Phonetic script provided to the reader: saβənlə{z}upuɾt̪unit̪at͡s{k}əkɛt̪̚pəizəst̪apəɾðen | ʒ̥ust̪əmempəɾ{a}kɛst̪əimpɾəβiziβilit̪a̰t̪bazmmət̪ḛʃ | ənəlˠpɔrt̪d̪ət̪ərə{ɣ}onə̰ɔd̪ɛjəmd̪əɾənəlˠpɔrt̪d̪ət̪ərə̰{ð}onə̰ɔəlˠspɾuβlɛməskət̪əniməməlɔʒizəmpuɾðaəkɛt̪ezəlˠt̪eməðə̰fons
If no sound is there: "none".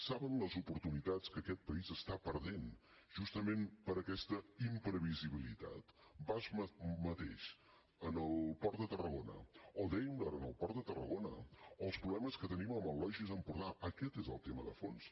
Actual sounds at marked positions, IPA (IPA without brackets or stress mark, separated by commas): z, k, ə, ɣ, ɣ